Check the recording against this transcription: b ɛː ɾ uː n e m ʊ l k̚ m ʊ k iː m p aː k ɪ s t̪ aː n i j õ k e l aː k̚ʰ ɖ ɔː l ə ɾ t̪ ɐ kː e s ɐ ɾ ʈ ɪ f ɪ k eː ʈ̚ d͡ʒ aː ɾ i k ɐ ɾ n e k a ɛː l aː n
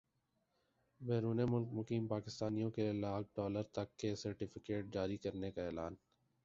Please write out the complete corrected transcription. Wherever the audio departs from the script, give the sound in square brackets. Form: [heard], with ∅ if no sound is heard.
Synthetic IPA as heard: b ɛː ɾ uː n e m ʊ l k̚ m ʊ k iː m p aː k ɪ s t̪ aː n i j õ k e l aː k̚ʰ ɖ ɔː l ə ɾ t̪ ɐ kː e s ɐ ɾ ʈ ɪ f ɪ k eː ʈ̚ d͡ʒ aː ɾ i k ɐ ɾ n e k a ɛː l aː n

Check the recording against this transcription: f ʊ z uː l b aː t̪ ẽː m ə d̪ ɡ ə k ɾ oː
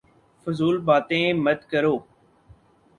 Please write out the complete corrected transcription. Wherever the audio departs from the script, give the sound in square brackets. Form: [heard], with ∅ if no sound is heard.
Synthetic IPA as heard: f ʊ z uː l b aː t̪ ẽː m ə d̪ [k] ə [∅] ɾ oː

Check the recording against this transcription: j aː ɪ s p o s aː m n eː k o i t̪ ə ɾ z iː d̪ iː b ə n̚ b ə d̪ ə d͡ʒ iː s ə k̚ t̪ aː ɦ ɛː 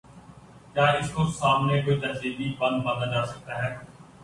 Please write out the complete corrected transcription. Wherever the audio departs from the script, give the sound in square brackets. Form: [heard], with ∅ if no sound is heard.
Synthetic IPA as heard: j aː ɪ s [k] o s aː m n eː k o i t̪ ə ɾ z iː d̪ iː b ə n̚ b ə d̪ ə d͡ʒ [aː] s ə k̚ t̪ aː ɦ ɛː

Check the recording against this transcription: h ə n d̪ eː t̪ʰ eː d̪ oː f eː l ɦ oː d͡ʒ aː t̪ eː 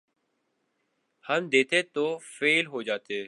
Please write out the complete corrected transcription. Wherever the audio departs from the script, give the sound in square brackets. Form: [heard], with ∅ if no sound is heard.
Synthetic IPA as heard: h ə [m] d̪ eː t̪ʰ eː [t̪] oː f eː l ɦ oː d͡ʒ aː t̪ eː

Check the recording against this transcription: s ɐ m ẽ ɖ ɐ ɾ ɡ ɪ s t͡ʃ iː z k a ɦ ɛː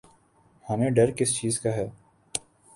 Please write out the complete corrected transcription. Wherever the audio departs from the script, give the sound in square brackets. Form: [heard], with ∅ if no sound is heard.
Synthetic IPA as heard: [h] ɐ m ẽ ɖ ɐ ɾ [k] ɪ s t͡ʃ iː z k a ɦ ɛː

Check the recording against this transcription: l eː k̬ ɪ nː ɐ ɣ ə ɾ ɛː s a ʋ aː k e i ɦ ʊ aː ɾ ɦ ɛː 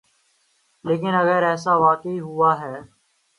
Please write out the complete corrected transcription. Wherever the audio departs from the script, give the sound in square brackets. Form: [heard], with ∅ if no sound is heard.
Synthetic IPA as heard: l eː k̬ ɪ [n] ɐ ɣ ə ɾ ɛː s a ʋ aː k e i ɦ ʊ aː [∅] ɦ ɛː

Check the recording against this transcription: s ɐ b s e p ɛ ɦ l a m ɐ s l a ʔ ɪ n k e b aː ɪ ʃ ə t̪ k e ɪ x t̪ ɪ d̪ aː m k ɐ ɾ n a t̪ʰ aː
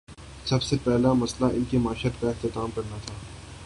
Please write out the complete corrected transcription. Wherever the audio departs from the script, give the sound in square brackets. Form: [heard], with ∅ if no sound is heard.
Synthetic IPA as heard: s ɐ b s e p ɛ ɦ l a m ɐ s l a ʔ ɪ n k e [m] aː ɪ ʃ ə t̪ k [a] ɪ x t̪ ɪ [t̪] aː m k ɐ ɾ n a t̪ʰ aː

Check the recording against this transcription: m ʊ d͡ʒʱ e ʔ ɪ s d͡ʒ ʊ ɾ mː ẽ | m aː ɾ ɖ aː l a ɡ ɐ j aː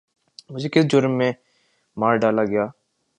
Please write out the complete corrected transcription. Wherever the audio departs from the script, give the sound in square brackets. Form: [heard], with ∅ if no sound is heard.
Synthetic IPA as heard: m ʊ d͡ʒʱ e [k] ɪ s d͡ʒ ʊ ɾ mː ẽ | m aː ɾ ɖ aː l a ɡ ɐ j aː

